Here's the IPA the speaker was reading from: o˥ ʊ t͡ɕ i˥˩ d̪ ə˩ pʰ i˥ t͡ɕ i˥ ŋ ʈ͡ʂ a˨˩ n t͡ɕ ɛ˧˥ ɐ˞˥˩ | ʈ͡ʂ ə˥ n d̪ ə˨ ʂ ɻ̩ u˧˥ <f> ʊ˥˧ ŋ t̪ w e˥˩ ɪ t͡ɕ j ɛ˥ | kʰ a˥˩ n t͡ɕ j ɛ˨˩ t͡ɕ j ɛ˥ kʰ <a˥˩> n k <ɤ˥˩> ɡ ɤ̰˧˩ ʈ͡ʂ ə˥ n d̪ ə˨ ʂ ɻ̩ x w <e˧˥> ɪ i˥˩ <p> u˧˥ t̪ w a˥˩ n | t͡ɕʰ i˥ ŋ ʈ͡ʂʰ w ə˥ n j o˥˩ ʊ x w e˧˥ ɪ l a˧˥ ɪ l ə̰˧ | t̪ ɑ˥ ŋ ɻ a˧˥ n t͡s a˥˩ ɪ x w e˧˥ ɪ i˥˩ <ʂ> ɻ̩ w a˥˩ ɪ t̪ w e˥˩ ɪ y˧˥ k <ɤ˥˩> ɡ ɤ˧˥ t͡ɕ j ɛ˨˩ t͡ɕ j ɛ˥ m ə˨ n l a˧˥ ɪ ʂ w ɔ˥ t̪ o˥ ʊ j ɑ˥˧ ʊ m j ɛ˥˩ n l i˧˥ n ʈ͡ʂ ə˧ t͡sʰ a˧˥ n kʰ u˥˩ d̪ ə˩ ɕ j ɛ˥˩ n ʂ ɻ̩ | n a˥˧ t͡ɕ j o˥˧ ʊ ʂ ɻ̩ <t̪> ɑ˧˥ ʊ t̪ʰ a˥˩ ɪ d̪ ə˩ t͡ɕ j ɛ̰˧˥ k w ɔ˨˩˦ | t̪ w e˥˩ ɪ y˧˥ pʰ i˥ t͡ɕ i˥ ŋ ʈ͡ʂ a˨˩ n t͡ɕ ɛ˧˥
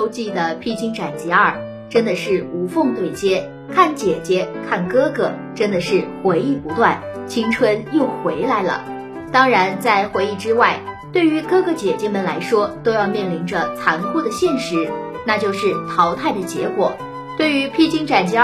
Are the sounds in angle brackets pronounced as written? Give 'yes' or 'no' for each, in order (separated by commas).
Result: yes, yes, no, yes, yes, no, no, no